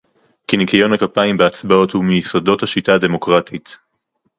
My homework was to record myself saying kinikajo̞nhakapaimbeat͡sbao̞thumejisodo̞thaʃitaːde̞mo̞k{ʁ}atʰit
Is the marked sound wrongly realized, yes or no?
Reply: no